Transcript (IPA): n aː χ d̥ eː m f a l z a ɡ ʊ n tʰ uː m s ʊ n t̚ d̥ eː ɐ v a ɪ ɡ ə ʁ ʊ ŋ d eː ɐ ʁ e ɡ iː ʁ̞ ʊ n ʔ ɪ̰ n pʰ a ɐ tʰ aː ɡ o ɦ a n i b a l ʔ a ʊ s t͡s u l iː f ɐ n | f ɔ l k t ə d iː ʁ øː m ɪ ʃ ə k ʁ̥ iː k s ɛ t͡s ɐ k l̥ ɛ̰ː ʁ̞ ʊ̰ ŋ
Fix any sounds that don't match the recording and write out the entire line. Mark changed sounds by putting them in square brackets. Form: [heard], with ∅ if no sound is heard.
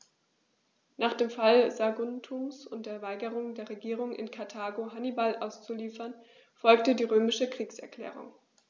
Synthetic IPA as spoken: n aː χ d̥ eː m f a l z a ɡ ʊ n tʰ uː m s ʊ n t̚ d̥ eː ɐ v a ɪ ɡ ə ʁ ʊ ŋ d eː ɐ ʁ e ɡ iː ʁ̞ ʊ [ŋ] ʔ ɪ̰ n [kʰ] a ɐ tʰ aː ɡ o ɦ a n i b a l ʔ a ʊ s t͡s u l iː f ɐ n | f ɔ l k t ə d iː ʁ øː m ɪ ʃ ə k ʁ̥ iː k s ɛ [∅] ɐ k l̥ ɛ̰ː ʁ̞ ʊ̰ ŋ